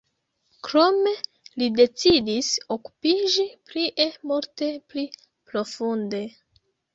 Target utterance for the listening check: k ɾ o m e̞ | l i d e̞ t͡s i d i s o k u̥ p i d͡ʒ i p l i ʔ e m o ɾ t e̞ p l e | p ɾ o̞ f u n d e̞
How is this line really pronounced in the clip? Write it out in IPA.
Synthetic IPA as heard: k ɾ o m e̞ | l i d e̞ t͡s i d i s o k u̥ p i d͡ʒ i p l i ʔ e m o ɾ t e̞ p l i | p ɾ o̞ f u n d e̞